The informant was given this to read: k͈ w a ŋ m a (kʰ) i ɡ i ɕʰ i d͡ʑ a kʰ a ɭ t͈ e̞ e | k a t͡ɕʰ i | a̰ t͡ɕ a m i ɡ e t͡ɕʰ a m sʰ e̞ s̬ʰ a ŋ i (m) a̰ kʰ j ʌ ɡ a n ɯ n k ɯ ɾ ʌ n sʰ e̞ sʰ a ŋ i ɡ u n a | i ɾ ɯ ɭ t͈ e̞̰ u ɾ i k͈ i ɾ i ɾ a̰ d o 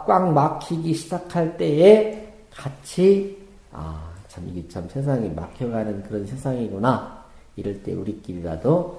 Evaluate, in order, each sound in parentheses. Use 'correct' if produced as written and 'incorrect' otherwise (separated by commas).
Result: correct, correct